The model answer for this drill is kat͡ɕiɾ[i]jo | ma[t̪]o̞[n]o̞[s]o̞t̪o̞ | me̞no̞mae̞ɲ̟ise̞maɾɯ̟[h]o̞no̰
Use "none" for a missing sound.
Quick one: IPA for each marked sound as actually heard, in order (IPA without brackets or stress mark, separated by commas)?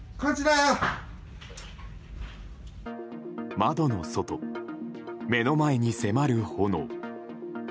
a, d̪, n, s, h